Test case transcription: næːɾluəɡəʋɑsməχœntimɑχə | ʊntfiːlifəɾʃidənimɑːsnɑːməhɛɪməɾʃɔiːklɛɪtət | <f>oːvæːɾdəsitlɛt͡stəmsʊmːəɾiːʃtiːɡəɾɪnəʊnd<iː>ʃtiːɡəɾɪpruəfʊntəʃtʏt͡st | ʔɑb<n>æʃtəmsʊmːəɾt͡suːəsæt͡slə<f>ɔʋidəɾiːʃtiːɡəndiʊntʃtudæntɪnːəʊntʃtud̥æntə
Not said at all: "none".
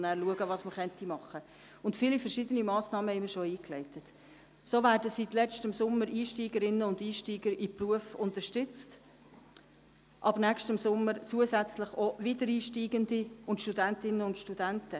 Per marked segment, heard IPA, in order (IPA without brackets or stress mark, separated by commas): s, iː, n, χ